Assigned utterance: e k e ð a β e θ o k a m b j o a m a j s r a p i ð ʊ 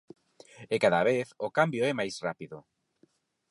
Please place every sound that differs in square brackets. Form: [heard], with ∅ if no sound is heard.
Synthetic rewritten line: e k [a] ð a β e θ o k a m b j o [ɛ] m a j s r a p i ð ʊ